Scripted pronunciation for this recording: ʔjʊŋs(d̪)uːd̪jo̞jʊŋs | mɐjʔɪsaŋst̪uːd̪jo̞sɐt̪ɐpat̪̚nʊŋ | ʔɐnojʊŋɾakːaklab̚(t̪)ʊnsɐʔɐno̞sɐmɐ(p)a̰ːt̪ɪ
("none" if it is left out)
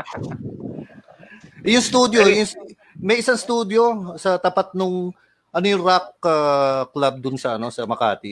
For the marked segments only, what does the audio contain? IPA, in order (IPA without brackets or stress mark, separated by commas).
t̪, d̪, k